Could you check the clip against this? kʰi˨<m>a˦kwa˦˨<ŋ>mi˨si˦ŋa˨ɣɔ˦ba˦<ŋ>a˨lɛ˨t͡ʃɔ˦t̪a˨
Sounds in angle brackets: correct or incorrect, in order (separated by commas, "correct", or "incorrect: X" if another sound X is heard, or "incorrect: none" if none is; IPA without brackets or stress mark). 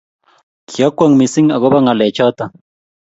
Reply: incorrect: none, correct, correct